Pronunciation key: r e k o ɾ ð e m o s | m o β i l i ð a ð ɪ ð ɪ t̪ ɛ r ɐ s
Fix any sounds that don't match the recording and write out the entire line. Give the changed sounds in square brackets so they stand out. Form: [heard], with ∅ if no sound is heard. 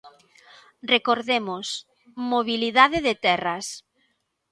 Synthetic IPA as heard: r e k o ɾ ð e m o s | m o β i l i ð a ð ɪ ð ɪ t̪ ɛ r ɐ s